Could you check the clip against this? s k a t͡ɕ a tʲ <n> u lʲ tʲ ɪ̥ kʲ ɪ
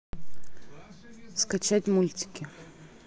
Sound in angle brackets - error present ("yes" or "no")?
yes